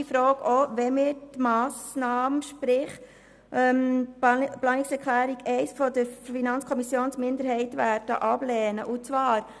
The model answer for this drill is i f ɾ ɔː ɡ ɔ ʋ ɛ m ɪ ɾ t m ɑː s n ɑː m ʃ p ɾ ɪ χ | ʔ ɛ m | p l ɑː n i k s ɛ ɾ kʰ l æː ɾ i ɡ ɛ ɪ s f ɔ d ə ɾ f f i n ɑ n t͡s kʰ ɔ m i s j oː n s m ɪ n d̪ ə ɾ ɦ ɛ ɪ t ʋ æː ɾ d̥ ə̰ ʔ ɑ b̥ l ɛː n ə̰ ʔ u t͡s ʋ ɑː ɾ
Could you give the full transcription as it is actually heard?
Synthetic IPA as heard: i f ɾ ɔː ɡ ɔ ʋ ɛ m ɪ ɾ t m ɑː s n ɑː m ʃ p ɾ ɪ χ | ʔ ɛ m | p l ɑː n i k s ɛ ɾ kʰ l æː ɾ i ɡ ɛ ɪ s f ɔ d ə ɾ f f i n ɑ n t͡s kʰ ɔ m i s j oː n s m ɪ n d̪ ə ɾ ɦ ɛ ɪ t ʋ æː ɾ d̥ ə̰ ʔ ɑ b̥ l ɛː n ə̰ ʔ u t͡s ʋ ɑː ɾ